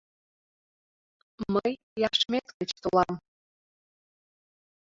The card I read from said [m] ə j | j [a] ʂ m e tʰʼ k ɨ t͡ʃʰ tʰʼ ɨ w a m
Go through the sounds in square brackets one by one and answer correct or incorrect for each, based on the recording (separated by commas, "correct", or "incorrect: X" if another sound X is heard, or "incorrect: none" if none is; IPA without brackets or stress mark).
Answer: correct, correct